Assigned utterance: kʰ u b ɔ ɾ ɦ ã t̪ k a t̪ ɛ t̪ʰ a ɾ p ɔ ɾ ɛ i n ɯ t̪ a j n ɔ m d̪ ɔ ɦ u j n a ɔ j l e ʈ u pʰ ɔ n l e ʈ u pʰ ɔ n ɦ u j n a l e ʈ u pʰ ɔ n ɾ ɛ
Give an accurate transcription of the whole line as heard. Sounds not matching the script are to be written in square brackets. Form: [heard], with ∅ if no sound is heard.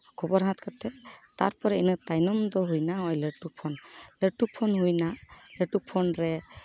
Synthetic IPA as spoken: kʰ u b ɔ ɾ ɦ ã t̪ k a t̪ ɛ [t̪] a ɾ p ɔ ɾ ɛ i n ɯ t̪ a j n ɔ m d̪ ɔ ɦ u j n a ɔ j l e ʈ u pʰ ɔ n l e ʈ u pʰ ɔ n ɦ u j n a l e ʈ u pʰ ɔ n ɾ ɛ